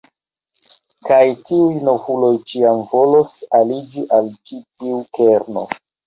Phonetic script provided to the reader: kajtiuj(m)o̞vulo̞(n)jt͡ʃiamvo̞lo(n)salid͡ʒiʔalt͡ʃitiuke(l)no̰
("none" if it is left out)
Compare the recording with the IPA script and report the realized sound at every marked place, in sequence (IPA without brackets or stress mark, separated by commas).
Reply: n, none, none, ɾ